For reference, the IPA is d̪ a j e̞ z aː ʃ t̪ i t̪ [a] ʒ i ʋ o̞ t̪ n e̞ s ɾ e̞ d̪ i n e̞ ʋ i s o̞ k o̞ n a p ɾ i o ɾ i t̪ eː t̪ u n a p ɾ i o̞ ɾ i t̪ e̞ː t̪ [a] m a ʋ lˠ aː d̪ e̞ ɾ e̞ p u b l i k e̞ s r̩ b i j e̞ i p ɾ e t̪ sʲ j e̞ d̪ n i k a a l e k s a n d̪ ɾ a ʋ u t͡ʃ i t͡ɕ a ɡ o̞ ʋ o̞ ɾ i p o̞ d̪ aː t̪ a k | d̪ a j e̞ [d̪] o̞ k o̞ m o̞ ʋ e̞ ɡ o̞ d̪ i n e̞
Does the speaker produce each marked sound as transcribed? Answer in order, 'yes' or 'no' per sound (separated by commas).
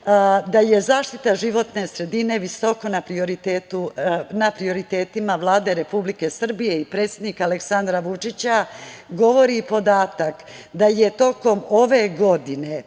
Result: yes, no, no